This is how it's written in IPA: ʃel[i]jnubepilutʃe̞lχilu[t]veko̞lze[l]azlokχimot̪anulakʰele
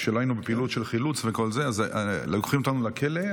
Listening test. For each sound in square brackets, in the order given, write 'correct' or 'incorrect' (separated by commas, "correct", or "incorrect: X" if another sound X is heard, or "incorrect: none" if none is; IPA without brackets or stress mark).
incorrect: a, incorrect: t͡s, incorrect: none